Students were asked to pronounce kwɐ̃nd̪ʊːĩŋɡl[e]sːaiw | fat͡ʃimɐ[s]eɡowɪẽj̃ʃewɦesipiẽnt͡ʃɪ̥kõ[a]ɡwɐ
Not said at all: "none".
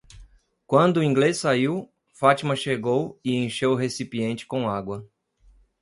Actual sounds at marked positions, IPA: e, ʃ, a

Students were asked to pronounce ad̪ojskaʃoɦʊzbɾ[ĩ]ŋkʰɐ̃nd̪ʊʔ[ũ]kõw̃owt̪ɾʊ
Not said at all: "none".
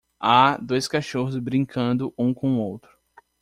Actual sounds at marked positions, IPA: ĩ, ũ

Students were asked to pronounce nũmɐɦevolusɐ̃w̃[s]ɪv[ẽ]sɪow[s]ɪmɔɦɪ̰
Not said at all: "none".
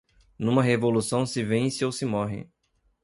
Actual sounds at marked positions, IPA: s, ẽ, s

